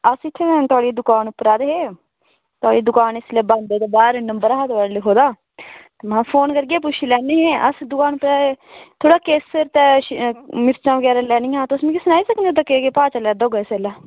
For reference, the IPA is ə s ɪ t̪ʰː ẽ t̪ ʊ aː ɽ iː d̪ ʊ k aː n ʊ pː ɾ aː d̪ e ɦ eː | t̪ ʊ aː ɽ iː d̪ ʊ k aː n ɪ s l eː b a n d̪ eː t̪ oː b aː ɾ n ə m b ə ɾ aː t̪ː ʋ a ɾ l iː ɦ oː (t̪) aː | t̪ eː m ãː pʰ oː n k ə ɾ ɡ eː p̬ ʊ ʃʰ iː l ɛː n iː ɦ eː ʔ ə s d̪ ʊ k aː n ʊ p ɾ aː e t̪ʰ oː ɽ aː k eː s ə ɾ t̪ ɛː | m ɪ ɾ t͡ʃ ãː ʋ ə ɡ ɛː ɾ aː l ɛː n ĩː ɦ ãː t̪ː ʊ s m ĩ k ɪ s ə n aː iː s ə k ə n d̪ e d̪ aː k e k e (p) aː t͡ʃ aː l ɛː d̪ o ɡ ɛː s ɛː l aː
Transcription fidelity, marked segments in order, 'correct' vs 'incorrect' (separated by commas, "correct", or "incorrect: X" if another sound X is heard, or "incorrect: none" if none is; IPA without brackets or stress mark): incorrect: d̪, correct